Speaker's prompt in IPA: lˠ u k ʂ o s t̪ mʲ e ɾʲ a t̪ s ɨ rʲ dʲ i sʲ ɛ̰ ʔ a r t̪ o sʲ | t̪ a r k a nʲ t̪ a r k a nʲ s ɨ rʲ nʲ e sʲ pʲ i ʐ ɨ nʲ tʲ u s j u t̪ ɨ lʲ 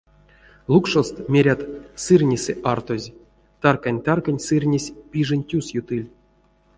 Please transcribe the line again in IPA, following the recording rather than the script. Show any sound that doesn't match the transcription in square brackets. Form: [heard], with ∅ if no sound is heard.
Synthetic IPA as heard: lˠ u k ʂ o s t̪ mʲ e ɾʲ a t̪ s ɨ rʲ [nʲ] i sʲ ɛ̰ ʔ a r t̪ o [zʲ] | t̪ a r k a nʲ t̪ a r k a nʲ s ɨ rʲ nʲ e sʲ pʲ i ʐ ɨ nʲ tʲ u s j u t̪ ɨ lʲ